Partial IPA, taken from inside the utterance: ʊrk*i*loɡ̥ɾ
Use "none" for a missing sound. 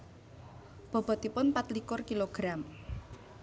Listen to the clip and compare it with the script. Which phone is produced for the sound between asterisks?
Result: i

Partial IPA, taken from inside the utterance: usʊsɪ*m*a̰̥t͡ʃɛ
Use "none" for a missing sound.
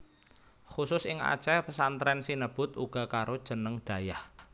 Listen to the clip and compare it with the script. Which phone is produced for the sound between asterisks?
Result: ŋ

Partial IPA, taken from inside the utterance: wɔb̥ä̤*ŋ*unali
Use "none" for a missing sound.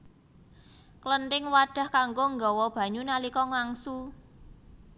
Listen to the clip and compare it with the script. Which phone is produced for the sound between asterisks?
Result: ɲ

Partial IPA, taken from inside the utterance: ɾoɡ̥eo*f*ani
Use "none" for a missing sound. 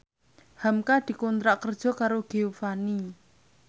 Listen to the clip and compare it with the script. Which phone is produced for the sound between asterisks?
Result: f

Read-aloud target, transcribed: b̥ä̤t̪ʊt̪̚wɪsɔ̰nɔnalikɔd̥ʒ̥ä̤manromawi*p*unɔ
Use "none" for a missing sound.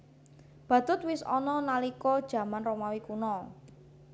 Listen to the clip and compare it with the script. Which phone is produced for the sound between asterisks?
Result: k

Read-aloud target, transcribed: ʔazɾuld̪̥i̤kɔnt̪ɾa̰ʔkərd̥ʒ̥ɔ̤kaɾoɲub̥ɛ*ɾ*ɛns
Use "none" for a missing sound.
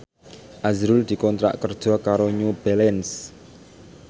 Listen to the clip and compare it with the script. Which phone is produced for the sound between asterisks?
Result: l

